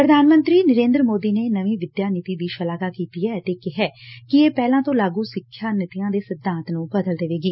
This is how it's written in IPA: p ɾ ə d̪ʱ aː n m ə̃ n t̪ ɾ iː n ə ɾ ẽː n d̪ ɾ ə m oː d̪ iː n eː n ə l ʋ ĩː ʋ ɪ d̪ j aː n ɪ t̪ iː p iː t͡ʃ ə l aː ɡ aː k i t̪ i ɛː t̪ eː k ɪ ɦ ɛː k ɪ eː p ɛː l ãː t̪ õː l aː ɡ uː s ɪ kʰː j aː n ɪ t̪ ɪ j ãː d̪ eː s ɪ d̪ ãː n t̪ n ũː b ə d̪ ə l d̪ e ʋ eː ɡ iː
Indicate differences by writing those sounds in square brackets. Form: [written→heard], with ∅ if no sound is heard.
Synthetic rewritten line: p ɾ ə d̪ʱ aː n m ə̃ n t̪ ɾ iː n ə ɾ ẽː n d̪ ɾ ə m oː d̪ iː n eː n ə [l→∅] ʋ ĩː ʋ ɪ d̪ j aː n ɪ t̪ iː [p→b] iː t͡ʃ ə l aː ɡ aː k [i→iː] t̪ i ɛː t̪ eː k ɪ ɦ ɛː k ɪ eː p ɛː l ãː t̪ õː l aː ɡ uː s ɪ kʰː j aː n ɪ t̪ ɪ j ãː d̪ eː s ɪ d̪ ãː n t̪ n ũː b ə d̪ ə l d̪ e ʋ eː ɡ iː